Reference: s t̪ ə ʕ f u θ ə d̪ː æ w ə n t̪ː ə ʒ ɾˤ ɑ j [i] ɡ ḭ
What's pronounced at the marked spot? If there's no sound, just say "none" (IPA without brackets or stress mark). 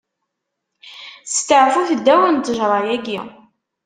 æ